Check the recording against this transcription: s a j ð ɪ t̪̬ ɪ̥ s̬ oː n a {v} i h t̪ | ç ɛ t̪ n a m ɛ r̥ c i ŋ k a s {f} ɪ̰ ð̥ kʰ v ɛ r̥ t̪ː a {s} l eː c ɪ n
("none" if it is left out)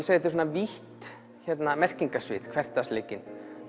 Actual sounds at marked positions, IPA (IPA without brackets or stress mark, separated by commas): v, v, s